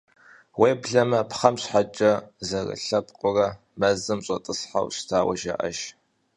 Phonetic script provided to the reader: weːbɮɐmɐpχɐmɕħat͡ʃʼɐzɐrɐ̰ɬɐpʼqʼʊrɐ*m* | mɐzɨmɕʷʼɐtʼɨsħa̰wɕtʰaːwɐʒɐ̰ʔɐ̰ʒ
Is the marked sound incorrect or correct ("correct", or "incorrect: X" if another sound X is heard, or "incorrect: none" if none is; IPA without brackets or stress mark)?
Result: incorrect: none